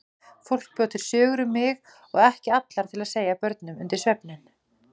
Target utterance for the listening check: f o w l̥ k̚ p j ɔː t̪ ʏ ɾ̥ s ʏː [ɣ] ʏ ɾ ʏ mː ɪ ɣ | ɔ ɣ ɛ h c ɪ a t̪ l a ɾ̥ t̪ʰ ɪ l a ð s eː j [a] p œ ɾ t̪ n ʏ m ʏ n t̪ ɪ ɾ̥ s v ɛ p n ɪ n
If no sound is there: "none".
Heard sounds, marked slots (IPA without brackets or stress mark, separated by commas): ɣ, a